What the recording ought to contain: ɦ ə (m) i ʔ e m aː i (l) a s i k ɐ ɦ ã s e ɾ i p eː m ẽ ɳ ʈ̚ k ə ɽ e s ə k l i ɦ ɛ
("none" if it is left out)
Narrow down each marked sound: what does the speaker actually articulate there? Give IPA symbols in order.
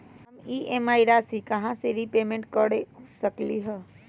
m, ɾ

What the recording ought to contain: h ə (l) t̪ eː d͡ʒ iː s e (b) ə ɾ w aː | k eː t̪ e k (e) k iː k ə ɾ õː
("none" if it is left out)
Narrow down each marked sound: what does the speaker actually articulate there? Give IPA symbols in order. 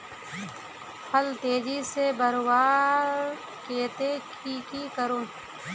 l, b, i

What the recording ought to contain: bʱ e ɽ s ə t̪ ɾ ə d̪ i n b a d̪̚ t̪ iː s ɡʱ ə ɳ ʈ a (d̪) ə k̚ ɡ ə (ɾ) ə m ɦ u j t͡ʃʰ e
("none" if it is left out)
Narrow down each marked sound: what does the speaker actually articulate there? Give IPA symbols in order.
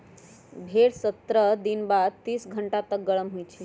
t̪, ɭ

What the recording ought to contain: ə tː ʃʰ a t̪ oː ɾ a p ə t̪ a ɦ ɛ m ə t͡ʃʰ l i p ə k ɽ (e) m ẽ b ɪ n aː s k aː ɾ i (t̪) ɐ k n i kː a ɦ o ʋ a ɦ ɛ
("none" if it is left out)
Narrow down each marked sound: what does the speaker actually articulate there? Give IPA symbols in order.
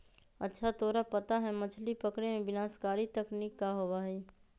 e, t̪

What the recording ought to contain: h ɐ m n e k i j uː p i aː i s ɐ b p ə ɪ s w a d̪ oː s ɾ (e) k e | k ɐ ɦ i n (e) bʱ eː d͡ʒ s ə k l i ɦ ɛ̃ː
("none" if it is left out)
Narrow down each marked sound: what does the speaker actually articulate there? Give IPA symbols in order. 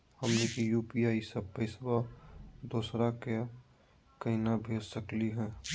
a, a

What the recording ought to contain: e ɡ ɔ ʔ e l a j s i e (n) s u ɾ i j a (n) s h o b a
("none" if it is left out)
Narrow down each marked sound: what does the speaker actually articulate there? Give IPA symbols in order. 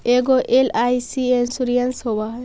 n, n

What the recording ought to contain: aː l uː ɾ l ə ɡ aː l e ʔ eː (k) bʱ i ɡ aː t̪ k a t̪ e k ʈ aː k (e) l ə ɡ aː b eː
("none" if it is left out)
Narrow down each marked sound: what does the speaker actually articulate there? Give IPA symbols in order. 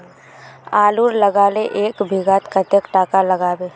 k, a

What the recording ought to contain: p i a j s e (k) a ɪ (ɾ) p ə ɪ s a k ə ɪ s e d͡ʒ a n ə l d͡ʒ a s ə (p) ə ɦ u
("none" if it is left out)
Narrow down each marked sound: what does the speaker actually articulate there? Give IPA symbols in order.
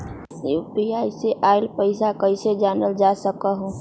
ʔ, l, k

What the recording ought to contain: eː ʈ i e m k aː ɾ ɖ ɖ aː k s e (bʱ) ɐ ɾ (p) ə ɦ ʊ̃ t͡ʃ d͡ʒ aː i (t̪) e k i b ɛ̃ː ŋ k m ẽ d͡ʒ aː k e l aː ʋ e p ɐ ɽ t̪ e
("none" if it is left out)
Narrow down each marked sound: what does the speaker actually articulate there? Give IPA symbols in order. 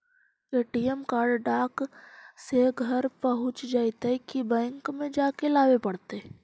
ɡʱ, p, t̪

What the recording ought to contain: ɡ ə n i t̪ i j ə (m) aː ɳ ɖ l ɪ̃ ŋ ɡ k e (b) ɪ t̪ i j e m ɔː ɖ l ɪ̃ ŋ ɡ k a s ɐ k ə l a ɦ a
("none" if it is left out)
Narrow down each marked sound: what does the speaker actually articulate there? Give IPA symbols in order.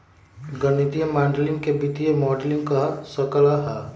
m, b

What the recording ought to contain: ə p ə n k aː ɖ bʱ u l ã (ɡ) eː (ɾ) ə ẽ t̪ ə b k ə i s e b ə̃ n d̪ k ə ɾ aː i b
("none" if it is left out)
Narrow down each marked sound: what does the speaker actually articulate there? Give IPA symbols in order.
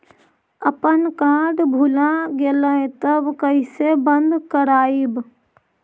ɡ, l

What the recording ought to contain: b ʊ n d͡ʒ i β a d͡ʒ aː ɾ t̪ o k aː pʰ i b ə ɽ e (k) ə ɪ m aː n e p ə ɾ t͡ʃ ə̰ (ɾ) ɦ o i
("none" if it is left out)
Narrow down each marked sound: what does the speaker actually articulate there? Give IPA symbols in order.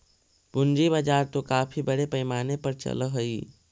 p, l

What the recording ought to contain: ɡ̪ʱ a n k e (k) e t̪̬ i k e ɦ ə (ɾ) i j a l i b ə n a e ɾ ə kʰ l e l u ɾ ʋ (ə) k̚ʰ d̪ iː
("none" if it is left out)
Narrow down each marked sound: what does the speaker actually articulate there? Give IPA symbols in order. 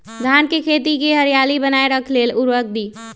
kʰ, ɾ, ə

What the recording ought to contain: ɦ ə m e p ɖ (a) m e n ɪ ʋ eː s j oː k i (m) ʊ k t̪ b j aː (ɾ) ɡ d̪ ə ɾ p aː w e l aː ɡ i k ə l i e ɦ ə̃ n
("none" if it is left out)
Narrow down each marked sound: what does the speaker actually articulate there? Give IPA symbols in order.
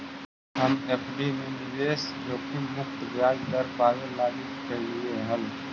i, m, none

